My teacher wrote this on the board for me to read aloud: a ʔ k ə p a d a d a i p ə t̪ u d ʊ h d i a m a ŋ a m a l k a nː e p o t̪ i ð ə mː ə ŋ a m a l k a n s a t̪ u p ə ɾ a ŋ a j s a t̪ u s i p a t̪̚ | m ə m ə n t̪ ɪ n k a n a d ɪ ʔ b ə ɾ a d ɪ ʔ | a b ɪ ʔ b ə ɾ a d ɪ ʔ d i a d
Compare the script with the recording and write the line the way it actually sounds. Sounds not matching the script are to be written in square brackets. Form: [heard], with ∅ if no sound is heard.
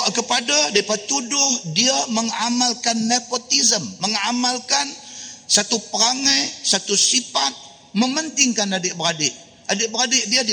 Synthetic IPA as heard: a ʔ k ə p a d a d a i p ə t̪ u d ʊ h d i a m [ə] ŋ a m a l k a nː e p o t̪ i [z] ə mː ə ŋ a m a l k a n s a t̪ u p ə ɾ a ŋ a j s a t̪ u s i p a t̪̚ | m ə m ə n t̪ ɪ [ŋ] k a n a d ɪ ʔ b ə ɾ a d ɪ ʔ | a [d] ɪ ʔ b ə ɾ a d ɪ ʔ d i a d